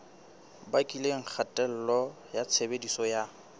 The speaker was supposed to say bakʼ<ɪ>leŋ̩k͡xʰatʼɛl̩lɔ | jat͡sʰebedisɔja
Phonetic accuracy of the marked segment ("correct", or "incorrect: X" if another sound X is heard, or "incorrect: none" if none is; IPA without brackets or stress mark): incorrect: i